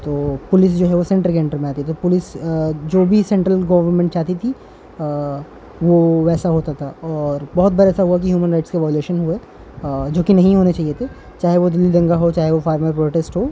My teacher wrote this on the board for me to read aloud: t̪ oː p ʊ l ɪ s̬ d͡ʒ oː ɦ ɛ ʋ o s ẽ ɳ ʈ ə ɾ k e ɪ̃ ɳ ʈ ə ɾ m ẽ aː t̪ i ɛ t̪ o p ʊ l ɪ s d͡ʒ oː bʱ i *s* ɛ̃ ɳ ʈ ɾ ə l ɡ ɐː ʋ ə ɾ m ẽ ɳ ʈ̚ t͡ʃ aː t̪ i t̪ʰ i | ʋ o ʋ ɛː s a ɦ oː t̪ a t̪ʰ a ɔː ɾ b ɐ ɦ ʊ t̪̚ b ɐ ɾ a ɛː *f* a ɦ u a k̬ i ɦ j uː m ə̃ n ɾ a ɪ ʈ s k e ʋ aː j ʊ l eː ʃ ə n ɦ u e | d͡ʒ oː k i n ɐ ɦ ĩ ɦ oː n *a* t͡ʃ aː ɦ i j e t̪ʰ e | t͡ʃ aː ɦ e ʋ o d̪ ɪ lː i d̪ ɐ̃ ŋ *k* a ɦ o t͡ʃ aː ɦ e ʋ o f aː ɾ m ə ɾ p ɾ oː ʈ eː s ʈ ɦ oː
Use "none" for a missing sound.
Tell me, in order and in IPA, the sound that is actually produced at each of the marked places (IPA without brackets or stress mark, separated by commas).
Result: s, s, e, ɡ